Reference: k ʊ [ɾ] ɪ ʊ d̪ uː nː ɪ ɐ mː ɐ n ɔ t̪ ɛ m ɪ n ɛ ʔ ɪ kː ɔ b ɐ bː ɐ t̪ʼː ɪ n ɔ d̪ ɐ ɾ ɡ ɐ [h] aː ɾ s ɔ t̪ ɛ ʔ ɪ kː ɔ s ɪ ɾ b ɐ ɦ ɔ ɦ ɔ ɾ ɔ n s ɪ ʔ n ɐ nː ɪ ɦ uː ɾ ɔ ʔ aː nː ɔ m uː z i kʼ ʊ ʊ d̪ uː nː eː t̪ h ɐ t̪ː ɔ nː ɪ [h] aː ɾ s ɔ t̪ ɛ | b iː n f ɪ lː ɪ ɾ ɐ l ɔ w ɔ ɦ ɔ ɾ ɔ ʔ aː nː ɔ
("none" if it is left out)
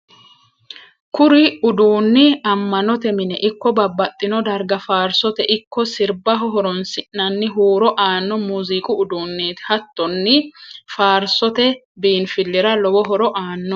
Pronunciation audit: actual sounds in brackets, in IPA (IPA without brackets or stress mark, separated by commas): ɾ, f, f